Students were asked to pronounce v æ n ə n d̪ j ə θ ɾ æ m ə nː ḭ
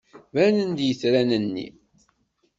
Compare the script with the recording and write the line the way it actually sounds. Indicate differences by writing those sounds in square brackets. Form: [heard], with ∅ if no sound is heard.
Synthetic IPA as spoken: v æ n ə n d̪ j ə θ ɾ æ [n] ə nː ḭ